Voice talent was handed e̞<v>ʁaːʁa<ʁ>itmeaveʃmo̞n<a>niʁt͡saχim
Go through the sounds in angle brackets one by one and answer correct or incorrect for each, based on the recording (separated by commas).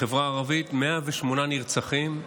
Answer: correct, incorrect, correct